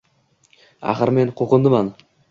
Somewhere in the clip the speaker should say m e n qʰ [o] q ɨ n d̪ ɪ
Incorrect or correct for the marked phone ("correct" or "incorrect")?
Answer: correct